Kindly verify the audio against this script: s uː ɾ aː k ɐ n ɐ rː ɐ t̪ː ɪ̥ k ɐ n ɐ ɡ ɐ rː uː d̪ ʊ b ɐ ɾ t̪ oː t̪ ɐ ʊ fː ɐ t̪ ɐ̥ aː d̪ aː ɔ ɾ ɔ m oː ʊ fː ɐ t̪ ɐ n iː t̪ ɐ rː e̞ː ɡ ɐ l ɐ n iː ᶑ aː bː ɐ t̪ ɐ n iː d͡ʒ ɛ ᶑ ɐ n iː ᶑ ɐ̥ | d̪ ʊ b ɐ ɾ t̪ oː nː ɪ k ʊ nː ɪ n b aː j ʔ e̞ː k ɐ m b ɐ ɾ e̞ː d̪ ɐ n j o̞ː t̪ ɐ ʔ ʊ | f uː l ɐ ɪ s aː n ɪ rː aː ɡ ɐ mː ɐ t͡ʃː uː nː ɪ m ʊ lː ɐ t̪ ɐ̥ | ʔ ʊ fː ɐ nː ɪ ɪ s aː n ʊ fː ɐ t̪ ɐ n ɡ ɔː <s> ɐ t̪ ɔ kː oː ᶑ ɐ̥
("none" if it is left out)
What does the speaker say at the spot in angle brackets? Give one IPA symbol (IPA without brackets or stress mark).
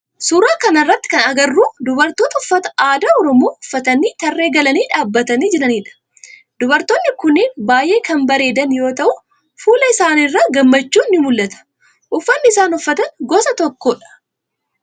s